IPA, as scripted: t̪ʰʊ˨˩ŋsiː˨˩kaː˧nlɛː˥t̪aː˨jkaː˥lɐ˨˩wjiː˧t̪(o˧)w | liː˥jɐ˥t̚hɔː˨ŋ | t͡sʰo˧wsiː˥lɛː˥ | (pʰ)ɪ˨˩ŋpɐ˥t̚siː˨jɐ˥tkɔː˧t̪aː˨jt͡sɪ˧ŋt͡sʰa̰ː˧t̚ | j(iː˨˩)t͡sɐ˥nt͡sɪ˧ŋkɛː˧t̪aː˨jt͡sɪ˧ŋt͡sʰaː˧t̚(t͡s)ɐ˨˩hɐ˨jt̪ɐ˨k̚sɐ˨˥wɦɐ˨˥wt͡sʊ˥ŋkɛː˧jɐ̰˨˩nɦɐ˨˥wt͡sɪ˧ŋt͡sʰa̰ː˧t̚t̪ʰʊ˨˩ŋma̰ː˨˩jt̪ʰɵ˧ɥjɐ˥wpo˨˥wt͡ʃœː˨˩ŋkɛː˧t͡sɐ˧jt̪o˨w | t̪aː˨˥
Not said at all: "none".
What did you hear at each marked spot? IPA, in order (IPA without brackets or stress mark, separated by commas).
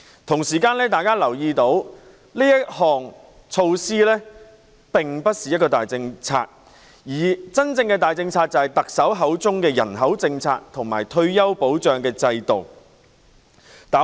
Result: o˨˥, p, iː˨˩, t͡s